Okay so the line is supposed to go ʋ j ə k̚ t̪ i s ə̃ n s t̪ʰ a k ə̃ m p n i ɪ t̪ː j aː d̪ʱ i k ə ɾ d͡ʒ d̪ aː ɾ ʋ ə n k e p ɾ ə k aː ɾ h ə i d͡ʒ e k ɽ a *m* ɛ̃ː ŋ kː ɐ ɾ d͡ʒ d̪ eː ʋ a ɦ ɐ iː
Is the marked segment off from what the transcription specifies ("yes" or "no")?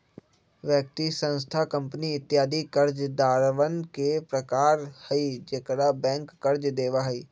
yes